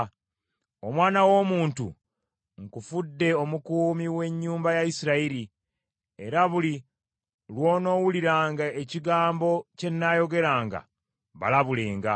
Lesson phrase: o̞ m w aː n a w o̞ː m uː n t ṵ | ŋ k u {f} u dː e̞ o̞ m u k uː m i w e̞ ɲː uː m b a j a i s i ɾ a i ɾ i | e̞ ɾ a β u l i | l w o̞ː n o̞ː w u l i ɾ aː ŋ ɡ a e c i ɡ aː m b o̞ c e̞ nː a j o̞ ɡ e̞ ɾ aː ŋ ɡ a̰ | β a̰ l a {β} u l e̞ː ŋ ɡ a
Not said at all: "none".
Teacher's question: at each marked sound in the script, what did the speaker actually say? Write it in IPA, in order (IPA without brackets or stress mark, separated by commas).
f, β